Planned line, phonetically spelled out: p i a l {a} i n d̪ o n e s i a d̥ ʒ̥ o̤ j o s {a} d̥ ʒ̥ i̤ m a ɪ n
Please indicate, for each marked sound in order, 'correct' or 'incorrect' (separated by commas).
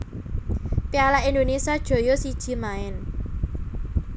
correct, incorrect